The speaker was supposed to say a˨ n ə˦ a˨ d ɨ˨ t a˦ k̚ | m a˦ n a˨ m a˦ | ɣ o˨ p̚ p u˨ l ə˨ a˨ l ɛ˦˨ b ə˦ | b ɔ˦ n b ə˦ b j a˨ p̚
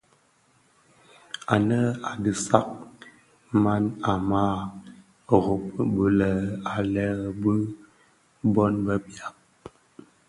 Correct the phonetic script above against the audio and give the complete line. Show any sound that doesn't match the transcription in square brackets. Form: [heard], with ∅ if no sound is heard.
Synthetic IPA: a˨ n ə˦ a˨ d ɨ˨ [s] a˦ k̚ | m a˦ n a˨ m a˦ | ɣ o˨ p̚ [b] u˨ l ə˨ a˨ l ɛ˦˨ b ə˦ | b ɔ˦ n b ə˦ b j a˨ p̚